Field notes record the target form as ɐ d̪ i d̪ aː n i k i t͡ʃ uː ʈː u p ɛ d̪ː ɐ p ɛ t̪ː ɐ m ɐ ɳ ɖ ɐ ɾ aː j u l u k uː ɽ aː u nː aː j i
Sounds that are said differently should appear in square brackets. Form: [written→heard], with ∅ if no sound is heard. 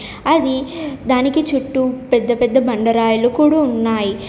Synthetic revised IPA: ɐ d̪ i d̪ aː n i k i t͡ʃ [uː→u] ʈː u p ɛ d̪ː ɐ p ɛ [t̪ː→d̪ː] ɐ [m→b] ɐ ɳ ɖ ɐ ɾ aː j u l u k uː ɽ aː u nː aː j i